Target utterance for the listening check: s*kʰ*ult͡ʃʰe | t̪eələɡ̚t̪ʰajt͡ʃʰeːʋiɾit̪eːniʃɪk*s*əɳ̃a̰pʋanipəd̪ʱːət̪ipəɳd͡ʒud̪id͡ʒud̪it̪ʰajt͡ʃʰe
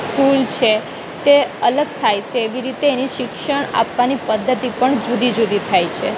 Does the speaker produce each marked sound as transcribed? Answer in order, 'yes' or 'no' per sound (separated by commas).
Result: no, no